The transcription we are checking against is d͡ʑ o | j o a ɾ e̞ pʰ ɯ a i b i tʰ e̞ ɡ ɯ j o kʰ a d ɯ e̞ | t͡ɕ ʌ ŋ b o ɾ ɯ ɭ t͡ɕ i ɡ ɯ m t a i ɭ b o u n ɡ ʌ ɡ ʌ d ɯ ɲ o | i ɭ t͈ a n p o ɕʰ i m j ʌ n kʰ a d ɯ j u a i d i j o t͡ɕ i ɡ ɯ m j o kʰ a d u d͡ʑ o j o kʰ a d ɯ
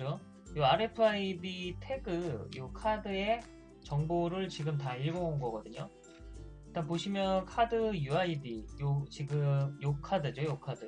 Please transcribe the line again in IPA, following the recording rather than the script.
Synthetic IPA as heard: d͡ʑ o | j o a ɾ e̞ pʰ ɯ a i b i tʰ e̞ ɡ ɯ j o kʰ a d ɯ e̞ | t͡ɕ ʌ ŋ b o ɾ ɯ ɭ t͡ɕ i ɡ ɯ m t a i ɭ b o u n ɡ ʌ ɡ ʌ d ɯ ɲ o | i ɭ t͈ a n p o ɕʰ i m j ʌ n kʰ a d ɯ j u a i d i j o t͡ɕ i ɡ ɯ m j o kʰ a d ɯ d͡ʑ o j o kʰ a d ɯ